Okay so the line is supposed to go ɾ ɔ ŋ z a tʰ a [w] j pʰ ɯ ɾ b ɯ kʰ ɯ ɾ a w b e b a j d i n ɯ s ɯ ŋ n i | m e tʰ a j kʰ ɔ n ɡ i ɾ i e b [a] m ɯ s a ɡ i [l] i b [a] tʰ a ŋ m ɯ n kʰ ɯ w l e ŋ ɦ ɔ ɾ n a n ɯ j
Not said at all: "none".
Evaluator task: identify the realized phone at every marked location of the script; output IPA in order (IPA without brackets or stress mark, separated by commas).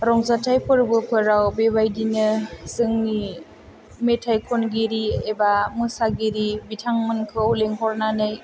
none, a, ɾ, i